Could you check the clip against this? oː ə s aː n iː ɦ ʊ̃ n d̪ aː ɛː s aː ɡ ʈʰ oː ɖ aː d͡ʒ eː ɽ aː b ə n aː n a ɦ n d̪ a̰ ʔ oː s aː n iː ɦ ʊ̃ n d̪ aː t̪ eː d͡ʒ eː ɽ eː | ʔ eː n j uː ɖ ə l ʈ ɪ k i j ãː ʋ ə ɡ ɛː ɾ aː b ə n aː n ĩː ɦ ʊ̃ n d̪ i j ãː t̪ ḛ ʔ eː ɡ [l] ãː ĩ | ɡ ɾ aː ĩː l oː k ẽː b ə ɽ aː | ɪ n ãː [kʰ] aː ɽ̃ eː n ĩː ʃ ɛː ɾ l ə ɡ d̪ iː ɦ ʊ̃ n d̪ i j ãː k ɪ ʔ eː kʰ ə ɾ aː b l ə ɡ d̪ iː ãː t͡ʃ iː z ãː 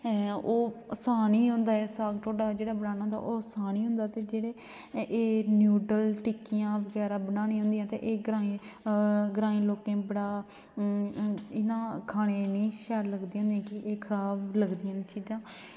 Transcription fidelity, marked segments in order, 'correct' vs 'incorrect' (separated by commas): incorrect, correct